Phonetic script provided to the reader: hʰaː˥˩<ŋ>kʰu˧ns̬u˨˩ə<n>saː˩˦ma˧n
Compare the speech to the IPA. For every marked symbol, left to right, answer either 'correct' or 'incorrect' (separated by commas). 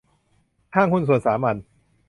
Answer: correct, correct